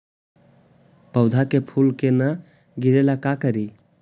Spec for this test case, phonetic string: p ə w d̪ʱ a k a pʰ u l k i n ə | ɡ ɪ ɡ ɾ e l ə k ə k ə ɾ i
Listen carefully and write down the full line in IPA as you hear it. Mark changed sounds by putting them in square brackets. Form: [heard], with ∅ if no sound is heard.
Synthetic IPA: p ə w d̪ʱ a k [e] pʰ u l k [e] n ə | ɡ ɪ [∅] ɾ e l [a] k [a] k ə ɾ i